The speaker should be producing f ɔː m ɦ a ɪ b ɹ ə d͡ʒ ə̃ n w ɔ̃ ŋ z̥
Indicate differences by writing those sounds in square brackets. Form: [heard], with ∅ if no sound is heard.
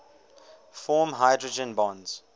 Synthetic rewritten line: f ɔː m ɦ a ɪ [d] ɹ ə d͡ʒ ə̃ n [b] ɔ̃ [n] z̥